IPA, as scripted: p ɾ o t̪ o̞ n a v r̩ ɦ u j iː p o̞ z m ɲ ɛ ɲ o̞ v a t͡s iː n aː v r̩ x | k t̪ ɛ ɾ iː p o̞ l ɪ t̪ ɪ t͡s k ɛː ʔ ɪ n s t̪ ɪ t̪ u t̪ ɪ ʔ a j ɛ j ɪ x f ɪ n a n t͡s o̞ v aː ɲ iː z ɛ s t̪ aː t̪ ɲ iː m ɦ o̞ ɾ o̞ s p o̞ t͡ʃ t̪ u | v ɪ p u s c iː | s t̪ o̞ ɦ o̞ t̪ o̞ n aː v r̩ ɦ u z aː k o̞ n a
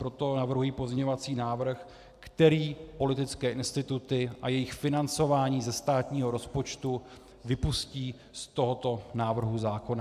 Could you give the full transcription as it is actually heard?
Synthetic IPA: p ɾ o t̪ o̞ n a v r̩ ɦ u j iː p o̞ z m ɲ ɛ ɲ o̞ v a t͡s iː n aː v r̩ x | k t̪ ɛ ɾ iː p o̞ l ɪ t̪ ɪ t͡s k ɛː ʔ ɪ n s t̪ ɪ t̪ u t̪ ɪ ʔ a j ɛ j ɪ x f ɪ n a n t͡s o̞ v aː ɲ iː z ɛ s t̪ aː t̪ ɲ iː ɦ o̞ ɾ o̞ s p o̞ t͡ʃ t̪ u | v ɪ p u s c iː | s t̪ o̞ ɦ o̞ t̪ o̞ n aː v r̩ ɦ u z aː k o̞ n a